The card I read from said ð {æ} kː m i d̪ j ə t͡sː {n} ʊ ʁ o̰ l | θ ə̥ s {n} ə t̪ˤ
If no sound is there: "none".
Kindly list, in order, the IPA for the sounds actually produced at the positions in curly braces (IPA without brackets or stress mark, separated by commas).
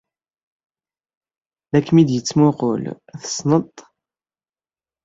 æ, m, n